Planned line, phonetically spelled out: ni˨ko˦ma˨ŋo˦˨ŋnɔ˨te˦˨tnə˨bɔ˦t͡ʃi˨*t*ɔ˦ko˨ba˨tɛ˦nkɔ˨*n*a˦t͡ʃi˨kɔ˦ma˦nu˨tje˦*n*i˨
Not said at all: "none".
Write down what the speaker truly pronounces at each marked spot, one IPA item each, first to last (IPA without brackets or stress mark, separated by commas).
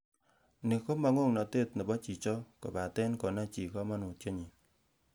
t͡ʃ, n, ɲ